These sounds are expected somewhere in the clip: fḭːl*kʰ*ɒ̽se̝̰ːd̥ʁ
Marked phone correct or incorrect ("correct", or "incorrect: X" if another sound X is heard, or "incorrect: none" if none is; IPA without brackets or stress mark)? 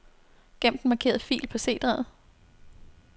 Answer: incorrect: pʰ